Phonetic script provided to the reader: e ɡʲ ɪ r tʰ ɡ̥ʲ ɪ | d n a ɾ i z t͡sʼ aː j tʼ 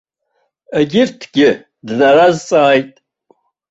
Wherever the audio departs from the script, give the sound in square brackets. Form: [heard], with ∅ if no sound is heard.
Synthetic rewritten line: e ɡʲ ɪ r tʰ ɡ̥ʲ ɪ | d n a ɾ [a] z t͡sʼ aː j tʼ

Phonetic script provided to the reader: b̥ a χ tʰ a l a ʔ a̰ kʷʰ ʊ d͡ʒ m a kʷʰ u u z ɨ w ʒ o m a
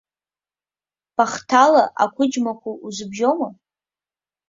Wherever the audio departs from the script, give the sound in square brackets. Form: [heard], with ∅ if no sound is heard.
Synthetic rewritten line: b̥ a χ tʰ a l a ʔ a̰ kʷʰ ʊ d͡ʒ m a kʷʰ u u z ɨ [b] ʒ o m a

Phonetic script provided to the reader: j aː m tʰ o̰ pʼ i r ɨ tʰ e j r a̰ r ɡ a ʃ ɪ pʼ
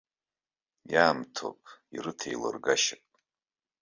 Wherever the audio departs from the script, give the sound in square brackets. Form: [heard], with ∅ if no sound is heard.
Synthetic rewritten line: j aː m tʰ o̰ pʼ i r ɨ tʰ e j [l] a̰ r ɡ a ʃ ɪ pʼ

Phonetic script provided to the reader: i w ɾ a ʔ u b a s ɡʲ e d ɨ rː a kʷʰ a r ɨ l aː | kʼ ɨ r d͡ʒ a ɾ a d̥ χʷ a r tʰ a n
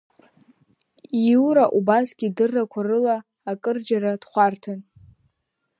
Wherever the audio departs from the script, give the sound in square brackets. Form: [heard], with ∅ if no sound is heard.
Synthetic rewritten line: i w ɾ a ʔ u b a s ɡʲ [i] d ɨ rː a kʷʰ a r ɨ l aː | kʼ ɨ r d͡ʒ a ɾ a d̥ χʷ a r tʰ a n

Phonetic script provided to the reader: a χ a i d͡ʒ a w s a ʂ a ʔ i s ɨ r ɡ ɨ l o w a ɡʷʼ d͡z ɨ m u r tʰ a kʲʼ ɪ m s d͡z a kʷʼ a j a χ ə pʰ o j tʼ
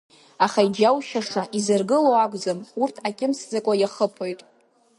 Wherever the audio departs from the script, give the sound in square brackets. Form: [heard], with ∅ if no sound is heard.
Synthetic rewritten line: a χ a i d͡ʒ a w [ʃ] a ʂ a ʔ i [z] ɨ r ɡ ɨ l o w a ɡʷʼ d͡z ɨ m u r tʰ a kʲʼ ɪ m s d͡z a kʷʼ a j a χ ə pʰ o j tʼ

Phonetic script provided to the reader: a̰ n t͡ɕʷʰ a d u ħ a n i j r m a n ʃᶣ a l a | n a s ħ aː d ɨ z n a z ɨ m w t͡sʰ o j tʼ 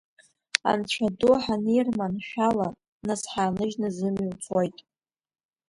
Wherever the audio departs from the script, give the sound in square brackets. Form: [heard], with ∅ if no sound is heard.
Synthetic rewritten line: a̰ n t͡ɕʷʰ a d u ħ a n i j r m a n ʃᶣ a l a | n a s ħ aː [n] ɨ [ʒ] n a z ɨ m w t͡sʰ o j tʼ

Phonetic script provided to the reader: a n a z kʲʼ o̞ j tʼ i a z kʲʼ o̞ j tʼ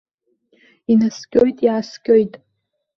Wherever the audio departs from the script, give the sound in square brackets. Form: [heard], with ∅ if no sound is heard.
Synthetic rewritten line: [i] n a [s] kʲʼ o̞ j tʼ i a [s] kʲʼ o̞ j tʼ

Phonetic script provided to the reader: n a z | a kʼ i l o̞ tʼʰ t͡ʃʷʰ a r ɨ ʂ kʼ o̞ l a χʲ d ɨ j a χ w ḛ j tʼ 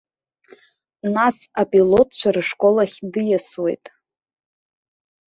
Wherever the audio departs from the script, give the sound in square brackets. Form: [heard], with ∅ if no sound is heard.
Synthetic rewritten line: n a [s] | a [pʼ] i l o̞ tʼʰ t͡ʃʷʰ a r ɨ ʂ kʼ o̞ l a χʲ d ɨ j a [s] w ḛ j tʼ

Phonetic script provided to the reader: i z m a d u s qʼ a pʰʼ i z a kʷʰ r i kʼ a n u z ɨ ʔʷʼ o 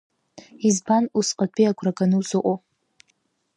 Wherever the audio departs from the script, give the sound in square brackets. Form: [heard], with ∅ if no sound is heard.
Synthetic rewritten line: i z [b] a [n] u s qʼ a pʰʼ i [∅] a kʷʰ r [a] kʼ a n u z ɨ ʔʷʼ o

